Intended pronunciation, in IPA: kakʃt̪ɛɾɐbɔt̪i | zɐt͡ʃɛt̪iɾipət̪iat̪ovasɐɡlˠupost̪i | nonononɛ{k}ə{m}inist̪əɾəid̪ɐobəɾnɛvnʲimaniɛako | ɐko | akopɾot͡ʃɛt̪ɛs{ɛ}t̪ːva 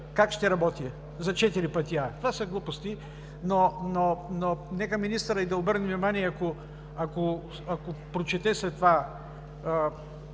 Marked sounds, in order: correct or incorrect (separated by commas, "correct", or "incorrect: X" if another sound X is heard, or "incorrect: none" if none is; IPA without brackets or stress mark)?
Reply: correct, correct, correct